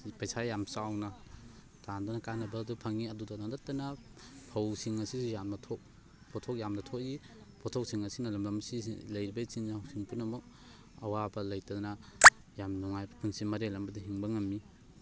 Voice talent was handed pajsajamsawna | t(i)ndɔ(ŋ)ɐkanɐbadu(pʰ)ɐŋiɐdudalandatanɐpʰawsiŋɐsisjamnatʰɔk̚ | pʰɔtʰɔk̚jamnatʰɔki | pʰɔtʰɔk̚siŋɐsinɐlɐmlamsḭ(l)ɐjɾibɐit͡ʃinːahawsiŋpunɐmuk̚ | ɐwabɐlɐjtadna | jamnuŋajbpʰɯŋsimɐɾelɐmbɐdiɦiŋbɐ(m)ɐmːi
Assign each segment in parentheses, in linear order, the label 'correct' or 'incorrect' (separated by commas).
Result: incorrect, incorrect, correct, correct, incorrect